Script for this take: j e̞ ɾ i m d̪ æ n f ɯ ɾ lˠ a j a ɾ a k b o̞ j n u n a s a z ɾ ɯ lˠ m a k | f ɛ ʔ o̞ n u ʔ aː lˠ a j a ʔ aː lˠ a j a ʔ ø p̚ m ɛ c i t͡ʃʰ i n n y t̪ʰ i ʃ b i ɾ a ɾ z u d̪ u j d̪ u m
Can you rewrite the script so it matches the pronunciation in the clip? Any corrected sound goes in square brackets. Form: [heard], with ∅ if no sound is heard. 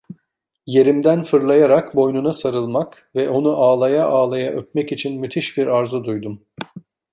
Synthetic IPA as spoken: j e̞ ɾ i m d̪ æ n f ɯ ɾ lˠ a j a ɾ a k b o̞ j n u n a s a [∅] ɾ ɯ lˠ m a k | [v] ɛ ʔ o̞ n u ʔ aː lˠ a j a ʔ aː lˠ a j a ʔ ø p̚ m ɛ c i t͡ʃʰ i n [m] y t̪ʰ i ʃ b i ɾ a ɾ z u d̪ u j d̪ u m